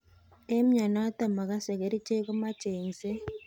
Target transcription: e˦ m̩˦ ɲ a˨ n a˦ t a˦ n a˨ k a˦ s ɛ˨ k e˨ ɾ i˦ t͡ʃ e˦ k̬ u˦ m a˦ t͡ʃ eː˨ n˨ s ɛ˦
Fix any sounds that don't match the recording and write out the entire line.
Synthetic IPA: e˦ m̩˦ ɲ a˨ n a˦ t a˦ m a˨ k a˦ s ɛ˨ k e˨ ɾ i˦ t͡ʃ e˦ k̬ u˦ m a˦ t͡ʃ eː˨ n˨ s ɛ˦